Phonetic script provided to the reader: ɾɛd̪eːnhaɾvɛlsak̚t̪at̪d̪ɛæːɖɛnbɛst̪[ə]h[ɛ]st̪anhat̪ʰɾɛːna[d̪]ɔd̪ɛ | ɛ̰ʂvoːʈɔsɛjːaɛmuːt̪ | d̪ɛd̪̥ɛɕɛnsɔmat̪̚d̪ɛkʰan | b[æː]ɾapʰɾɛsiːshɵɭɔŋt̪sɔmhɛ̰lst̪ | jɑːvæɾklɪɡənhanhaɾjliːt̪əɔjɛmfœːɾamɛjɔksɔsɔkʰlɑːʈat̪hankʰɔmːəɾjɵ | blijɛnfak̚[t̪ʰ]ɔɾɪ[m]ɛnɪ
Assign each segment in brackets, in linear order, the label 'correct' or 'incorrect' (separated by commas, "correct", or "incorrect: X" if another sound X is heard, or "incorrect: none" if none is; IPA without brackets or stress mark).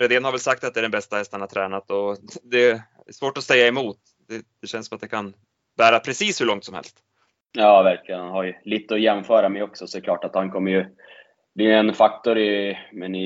incorrect: a, correct, incorrect: t̪, correct, incorrect: t̪, correct